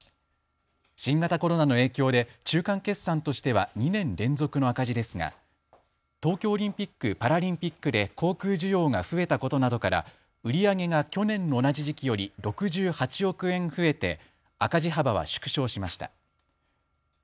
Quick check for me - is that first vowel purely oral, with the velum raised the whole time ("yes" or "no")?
no